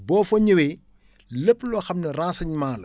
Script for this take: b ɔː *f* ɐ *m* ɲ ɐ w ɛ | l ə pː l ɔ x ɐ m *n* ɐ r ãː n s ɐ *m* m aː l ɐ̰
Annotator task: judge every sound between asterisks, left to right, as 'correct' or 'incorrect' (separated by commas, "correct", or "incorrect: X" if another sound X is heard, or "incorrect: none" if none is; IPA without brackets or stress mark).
correct, incorrect: none, correct, incorrect: ɲ